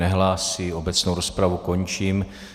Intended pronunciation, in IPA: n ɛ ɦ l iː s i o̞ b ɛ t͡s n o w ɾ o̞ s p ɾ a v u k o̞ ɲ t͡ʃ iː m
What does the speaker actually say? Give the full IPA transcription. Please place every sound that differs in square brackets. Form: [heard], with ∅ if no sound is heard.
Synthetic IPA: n ɛ ɦ l [aː] s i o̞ b ɛ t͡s n o w ɾ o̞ s p ɾ a v u k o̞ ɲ t͡ʃ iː m